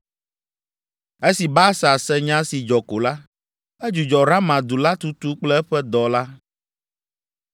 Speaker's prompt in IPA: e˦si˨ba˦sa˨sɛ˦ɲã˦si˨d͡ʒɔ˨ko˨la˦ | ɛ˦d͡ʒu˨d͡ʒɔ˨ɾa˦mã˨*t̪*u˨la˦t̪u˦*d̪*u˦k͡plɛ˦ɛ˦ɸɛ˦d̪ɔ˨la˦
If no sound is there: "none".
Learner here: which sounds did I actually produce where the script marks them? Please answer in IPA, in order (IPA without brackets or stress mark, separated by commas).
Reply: d̪, t̪